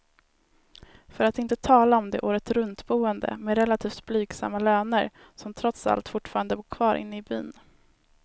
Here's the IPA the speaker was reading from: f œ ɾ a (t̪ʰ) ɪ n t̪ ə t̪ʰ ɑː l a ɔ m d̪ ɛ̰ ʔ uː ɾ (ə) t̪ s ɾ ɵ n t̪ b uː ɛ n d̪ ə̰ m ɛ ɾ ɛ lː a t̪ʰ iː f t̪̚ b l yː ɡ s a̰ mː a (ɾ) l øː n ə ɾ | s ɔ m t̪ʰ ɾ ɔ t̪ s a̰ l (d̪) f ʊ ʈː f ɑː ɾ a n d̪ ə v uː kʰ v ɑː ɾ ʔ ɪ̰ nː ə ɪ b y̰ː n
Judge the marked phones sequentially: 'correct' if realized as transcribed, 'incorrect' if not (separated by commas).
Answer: incorrect, correct, incorrect, incorrect